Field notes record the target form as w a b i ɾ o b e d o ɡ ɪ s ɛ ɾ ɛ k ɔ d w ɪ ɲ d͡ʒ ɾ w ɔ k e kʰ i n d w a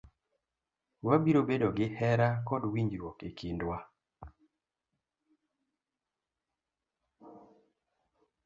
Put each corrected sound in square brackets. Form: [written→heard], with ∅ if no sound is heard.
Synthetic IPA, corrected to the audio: w a b i ɾ o b e d o ɡ ɪ [s→h] ɛ ɾ [ɛ→a] k ɔ d w [ɪ→i] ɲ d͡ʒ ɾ w ɔ k e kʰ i n d w a